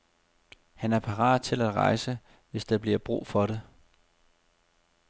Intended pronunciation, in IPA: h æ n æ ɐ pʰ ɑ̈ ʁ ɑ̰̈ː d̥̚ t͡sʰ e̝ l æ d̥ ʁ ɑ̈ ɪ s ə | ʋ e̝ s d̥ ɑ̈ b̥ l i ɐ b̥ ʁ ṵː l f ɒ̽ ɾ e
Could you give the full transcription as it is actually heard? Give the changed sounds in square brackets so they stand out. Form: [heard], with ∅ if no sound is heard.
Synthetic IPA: h æ n æ ɐ pʰ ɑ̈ ʁ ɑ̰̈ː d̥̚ t͡sʰ e̝ l æ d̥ ʁ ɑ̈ ɪ s ə | ʋ e̝ s d̥ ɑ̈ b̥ l i ɐ b̥ ʁ ṵː [∅] f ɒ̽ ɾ e